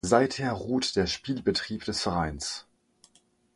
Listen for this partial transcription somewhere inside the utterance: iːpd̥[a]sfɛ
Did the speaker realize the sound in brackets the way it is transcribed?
no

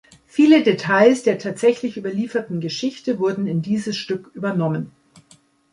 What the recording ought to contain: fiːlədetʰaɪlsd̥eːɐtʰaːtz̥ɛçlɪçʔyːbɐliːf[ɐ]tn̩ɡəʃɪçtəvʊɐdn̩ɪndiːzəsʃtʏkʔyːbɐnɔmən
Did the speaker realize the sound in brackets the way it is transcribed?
yes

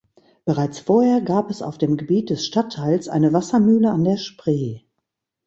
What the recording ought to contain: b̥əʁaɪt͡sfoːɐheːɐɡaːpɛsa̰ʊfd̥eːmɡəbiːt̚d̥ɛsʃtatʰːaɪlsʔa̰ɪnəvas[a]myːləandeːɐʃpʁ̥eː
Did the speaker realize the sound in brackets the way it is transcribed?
no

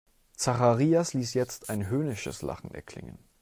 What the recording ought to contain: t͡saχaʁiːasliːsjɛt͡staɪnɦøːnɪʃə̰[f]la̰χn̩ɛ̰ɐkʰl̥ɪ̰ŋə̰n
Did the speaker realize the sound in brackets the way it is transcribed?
no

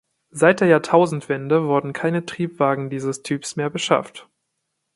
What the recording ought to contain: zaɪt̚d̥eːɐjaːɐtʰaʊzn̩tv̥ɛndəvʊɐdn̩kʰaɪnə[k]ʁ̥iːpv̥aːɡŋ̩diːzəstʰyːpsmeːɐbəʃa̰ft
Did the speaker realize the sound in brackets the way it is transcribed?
no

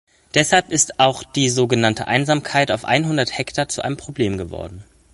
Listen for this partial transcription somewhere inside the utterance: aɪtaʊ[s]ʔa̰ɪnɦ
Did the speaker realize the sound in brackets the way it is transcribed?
no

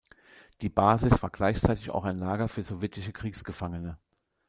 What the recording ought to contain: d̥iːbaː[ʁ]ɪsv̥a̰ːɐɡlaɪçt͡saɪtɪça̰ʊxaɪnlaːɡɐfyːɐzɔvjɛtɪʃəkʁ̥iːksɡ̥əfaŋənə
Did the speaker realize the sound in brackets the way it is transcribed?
no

